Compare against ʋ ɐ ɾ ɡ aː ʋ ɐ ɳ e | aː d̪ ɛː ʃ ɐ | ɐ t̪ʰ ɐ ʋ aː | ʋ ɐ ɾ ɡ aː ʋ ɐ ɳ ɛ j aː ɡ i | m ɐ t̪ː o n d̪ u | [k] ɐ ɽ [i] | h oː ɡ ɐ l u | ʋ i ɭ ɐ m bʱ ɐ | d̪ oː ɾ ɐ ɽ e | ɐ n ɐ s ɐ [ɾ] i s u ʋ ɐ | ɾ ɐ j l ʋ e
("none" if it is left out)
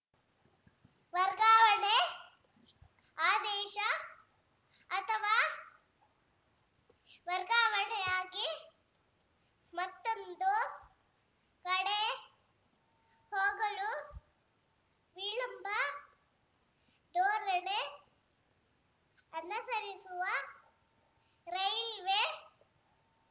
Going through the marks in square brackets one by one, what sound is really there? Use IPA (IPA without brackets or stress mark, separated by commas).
k, e, ɾ